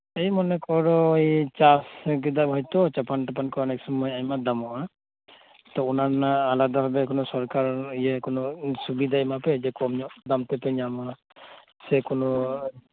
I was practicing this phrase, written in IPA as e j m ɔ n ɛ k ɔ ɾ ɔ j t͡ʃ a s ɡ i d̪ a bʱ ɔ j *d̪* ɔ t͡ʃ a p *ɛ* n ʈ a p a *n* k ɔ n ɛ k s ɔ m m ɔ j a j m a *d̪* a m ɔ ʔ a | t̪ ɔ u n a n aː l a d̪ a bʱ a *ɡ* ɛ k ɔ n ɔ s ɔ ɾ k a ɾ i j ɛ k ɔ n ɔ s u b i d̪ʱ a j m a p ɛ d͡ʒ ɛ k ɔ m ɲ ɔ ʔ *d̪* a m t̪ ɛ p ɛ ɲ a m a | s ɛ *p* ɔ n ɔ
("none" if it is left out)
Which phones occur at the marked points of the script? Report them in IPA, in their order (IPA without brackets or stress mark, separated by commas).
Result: t̪, a, n, d̪, b, d̪, k